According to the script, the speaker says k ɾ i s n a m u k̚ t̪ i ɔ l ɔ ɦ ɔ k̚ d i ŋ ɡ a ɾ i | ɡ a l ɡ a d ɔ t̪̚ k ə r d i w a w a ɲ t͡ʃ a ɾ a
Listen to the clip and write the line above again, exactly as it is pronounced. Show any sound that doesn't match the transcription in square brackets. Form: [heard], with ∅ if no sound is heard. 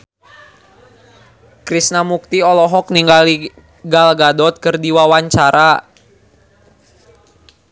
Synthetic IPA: k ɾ i s n a m u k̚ t̪ i ɔ l ɔ ɦ ɔ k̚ [n] i ŋ ɡ a [l] i | ɡ a l ɡ a d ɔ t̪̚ k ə r d i w a w a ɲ t͡ʃ a ɾ a